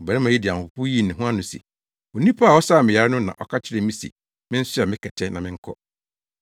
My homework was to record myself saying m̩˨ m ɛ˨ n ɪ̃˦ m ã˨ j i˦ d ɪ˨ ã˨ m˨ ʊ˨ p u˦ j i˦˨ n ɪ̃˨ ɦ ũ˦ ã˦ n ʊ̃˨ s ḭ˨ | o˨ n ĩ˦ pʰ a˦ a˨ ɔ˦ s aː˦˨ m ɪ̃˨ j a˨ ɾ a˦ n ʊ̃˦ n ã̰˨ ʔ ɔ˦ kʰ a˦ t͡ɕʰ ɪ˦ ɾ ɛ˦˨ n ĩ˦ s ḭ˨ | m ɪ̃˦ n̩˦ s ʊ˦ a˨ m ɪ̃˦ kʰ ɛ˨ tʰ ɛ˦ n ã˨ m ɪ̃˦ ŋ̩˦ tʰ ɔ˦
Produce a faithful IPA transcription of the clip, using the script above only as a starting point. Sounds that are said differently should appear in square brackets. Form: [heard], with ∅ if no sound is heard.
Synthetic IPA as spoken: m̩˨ [b] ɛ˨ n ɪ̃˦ m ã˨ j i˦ d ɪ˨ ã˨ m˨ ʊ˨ p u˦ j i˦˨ n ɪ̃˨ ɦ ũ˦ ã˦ n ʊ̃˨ s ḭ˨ | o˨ n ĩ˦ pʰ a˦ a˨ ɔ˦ s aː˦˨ m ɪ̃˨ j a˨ ɾ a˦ n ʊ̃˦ n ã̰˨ ʔ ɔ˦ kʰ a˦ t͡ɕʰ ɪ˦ ɾ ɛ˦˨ [m] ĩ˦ s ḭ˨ | m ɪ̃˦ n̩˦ s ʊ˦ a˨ m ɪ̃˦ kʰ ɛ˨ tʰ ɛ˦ n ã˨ m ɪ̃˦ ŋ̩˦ [kʰ] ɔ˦